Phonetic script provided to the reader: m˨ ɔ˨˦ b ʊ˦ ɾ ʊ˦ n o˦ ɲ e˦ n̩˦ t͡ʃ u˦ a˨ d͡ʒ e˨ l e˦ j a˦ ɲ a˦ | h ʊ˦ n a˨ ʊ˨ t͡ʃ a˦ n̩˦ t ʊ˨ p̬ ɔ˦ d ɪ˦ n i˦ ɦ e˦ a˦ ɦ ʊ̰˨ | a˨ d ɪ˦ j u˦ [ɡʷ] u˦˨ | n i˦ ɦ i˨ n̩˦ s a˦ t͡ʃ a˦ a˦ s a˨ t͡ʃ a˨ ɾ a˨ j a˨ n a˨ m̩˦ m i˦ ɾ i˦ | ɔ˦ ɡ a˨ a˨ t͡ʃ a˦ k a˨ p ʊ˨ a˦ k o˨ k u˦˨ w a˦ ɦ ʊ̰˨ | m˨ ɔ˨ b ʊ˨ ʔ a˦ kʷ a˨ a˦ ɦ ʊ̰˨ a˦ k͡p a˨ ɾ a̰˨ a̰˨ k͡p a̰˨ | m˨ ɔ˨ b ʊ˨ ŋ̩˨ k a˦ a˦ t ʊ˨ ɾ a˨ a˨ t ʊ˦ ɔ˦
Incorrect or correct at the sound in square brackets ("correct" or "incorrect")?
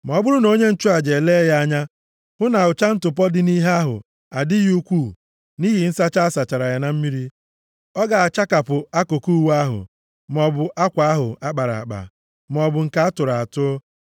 incorrect